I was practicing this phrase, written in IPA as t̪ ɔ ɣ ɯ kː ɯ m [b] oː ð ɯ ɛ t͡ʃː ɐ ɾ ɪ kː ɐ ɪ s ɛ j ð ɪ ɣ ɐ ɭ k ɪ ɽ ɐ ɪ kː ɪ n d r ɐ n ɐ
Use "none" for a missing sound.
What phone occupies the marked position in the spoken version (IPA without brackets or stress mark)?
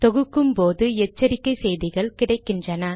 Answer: p